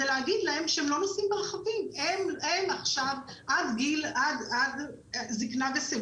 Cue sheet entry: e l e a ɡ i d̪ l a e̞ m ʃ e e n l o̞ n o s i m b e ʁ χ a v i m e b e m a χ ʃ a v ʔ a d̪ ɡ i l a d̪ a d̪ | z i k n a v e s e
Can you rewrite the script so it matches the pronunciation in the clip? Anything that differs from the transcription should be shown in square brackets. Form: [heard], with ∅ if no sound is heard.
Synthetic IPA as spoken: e l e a ɡ i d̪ l a e̞ m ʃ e e [m] l o̞ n o s i m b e ʁ χ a v i m e [m] e m a χ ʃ a v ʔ a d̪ ɡ i l a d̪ a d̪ | z i k n a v e s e